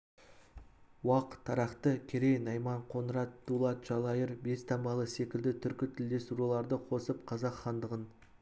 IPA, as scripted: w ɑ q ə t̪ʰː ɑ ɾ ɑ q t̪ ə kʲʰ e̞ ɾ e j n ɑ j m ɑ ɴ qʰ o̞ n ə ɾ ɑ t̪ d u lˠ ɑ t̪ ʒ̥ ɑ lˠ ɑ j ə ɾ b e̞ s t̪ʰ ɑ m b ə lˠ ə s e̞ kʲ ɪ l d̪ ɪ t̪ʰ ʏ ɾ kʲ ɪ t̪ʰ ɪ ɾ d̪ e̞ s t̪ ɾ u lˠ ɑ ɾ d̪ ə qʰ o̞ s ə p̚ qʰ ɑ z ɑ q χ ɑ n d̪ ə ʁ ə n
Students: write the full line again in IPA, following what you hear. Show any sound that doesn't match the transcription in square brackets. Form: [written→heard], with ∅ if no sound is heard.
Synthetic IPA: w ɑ q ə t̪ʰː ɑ ɾ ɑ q t̪ ə kʲʰ e̞ ɾ e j n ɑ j m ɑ ɴ qʰ o̞ n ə ɾ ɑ t̪ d u lˠ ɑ t̪ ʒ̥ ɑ lˠ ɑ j ə ɾ b e̞ s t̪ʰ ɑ m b [ə→ɑ] lˠ ə s e̞ kʲ ɪ l d̪ ɪ t̪ʰ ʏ ɾ kʲ ɪ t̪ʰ ɪ [ɾ→l] d̪ e̞ s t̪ ɾ u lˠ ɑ ɾ d̪ ə qʰ o̞ s ə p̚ qʰ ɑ z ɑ q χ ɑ n d̪ ə ʁ ə n

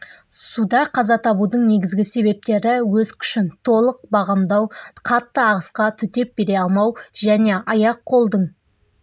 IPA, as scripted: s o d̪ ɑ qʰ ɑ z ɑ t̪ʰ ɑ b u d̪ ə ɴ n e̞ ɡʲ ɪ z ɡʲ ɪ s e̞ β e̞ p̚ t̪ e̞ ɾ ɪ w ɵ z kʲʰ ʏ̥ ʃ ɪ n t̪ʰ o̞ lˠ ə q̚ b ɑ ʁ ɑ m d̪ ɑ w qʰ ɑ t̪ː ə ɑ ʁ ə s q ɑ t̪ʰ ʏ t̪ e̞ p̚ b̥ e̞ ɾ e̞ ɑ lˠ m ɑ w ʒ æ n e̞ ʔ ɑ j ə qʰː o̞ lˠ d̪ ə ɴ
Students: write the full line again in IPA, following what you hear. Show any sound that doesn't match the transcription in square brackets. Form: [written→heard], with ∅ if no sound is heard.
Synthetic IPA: s [o→u] d̪ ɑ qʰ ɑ z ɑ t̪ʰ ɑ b u d̪ ə ɴ n e̞ ɡʲ ɪ z ɡʲ ɪ s e̞ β e̞ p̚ t̪ e̞ ɾ ɪ w ɵ z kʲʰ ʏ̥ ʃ ɪ n t̪ʰ o̞ lˠ ə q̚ b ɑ ʁ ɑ m d̪ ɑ w qʰ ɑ t̪ː ə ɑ ʁ ə s q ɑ t̪ʰ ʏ t̪ e̞ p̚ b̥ e̞ ɾ e̞ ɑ lˠ m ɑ w ʒ æ n e̞ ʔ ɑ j [ə→ɑ] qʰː o̞ lˠ d̪ ə ɴ

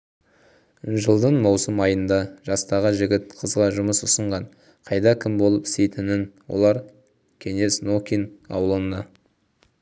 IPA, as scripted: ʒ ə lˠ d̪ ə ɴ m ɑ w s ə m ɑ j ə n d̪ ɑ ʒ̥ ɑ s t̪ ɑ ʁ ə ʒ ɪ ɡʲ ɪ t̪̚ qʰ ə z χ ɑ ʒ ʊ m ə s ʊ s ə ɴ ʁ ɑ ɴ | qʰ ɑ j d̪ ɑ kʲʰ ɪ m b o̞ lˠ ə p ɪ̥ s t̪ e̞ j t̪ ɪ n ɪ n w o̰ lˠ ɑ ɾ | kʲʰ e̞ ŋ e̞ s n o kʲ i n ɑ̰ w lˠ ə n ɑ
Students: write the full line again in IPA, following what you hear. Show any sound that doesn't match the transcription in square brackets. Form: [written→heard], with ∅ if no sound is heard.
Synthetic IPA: ʒ ə lˠ d̪ ə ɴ m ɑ w s ə m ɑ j ə n d̪ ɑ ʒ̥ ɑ s t̪ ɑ ʁ ə ʒ ɪ ɡʲ ɪ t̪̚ qʰ ə z [χ→ʁ] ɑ ʒ ʊ m ə s ʊ s ə ɴ ʁ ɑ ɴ | qʰ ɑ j d̪ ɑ kʲʰ ɪ m b o̞ lˠ ə p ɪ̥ s t̪ e̞ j t̪ ɪ n ɪ n w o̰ lˠ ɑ ɾ | kʲʰ e̞ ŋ e̞ s n o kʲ i n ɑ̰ w lˠ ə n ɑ

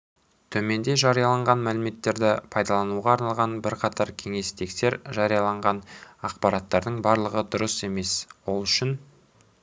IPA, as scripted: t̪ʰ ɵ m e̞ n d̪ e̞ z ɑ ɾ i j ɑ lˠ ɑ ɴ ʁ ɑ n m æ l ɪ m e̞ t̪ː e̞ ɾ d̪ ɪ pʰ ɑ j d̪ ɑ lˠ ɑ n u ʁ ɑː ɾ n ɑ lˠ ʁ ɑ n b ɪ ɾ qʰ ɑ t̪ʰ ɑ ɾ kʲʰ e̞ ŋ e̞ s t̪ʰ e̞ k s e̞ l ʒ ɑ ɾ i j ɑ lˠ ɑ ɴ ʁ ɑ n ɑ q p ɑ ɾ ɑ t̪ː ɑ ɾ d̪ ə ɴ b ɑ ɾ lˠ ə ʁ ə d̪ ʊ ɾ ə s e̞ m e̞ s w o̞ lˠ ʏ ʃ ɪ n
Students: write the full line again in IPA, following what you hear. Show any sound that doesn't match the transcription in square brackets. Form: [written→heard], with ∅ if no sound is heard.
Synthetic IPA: t̪ʰ ɵ m e̞ n d̪ e̞ [z→ʒ] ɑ ɾ i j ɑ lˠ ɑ ɴ ʁ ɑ n m æ l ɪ m e̞ t̪ː e̞ ɾ d̪ ɪ pʰ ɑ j d̪ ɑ lˠ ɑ n u ʁ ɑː ɾ n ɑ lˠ ʁ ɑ n b ɪ ɾ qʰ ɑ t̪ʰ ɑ ɾ kʲʰ e̞ ŋ e̞ s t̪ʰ e̞ k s e̞ [l→ɾ] ʒ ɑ ɾ i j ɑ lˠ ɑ ɴ ʁ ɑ n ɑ q p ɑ ɾ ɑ t̪ː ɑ ɾ d̪ ə ɴ b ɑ ɾ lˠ ə ʁ ə d̪ ʊ ɾ ə s e̞ m e̞ s w o̞ lˠ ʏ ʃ ɪ n

